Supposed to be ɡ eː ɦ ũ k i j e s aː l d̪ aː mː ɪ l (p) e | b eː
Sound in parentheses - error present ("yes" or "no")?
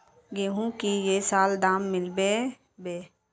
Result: yes